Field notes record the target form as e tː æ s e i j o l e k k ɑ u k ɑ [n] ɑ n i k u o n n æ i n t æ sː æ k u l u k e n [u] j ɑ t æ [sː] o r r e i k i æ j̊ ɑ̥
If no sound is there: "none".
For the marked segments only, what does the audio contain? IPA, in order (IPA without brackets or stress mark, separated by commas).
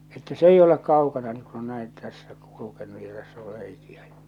n, u, sː